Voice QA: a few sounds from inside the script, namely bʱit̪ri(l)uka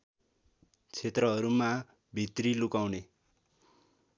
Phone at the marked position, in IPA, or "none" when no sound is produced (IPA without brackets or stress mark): l